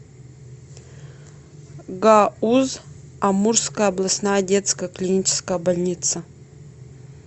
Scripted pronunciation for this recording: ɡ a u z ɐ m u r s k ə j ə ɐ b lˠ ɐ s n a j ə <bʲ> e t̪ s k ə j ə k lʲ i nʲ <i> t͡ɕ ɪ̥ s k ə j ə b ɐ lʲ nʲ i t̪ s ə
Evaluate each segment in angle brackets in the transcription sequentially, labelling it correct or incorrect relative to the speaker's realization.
incorrect, correct

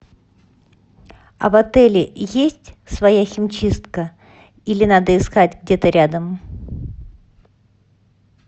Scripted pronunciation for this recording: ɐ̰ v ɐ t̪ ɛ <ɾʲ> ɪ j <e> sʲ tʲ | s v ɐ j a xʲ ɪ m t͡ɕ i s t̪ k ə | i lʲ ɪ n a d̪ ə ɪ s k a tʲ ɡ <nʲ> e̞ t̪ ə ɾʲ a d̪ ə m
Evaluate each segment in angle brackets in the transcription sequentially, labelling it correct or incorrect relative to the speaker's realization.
incorrect, correct, incorrect

